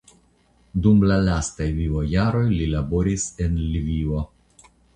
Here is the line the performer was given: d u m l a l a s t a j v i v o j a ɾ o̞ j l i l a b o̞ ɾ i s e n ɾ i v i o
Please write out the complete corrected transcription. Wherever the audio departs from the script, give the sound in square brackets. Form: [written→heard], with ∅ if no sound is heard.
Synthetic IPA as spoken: d u m l a l a s t a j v i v o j a ɾ o̞ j l i l a b o̞ ɾ i s e n [ɾ→l] i v i o